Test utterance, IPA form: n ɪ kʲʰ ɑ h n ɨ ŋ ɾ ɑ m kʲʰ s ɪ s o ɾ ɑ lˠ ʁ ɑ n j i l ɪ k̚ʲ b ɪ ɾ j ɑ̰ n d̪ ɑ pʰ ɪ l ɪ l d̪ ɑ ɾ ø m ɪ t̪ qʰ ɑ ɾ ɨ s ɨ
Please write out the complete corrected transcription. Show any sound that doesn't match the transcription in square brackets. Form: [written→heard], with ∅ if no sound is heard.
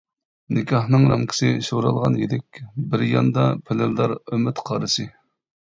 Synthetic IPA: n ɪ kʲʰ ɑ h n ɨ ŋ ɾ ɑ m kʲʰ s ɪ [s→ʃ] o ɾ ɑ lˠ ʁ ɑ n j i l ɪ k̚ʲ b ɪ ɾ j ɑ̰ n d̪ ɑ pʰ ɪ l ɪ l d̪ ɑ ɾ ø m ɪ t̪ qʰ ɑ ɾ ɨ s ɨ